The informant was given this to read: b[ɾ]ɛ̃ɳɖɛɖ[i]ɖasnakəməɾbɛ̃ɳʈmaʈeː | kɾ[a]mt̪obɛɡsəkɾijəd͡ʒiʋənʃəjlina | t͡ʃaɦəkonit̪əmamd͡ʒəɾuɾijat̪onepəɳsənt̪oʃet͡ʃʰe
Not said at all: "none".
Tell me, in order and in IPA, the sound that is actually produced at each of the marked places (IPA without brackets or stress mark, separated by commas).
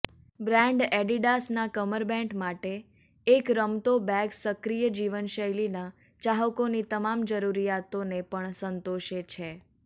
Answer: ɾ, i, ə